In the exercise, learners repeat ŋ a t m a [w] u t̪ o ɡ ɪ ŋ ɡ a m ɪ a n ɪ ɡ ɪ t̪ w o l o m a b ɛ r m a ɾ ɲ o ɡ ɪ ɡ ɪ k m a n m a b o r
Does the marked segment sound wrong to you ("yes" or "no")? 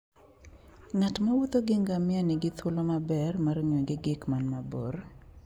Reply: no